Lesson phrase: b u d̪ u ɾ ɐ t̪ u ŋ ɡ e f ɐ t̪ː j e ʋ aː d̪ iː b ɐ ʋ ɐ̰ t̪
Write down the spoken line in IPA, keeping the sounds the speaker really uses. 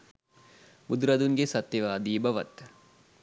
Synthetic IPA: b u d̪ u ɾ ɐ d̪ u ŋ ɡ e s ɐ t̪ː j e ʋ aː d̪ iː b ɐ ʋ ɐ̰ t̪